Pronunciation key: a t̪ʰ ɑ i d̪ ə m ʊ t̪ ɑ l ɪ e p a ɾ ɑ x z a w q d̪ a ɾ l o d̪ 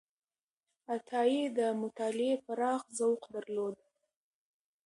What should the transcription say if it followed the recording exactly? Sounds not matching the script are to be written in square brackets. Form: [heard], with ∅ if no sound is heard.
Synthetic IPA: a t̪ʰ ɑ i d̪ ə m ʊ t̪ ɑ l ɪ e p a ɾ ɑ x z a w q d̪ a ɾ l o d̪